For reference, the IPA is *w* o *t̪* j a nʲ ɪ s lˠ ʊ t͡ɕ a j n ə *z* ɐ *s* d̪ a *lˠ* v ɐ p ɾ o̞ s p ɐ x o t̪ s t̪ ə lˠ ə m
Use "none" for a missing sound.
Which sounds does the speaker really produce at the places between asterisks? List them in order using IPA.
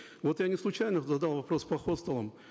v, t̪, z, none, lˠ

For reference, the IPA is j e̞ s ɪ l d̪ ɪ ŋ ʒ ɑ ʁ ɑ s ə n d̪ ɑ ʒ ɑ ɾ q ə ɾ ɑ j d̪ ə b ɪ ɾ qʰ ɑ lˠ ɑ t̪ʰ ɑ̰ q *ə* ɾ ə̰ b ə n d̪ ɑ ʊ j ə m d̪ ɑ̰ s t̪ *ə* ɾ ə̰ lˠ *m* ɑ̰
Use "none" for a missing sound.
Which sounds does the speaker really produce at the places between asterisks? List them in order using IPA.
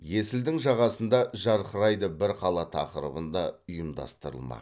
ə, ə, m

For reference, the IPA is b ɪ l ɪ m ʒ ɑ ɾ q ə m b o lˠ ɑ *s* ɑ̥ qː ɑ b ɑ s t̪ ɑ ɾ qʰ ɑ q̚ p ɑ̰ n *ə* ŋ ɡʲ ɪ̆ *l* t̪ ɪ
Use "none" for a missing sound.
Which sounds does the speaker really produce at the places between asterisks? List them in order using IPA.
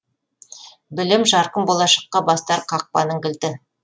ʃ, ə, l

